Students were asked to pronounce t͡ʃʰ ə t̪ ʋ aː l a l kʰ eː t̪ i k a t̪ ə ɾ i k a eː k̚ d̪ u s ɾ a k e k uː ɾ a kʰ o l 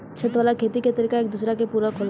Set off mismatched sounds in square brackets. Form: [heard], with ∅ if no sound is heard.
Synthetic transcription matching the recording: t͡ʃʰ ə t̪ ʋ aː l a [∅] kʰ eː t̪ i k [e] t̪ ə ɾ i k a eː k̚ d̪ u s ɾ a k e [p] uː ɾ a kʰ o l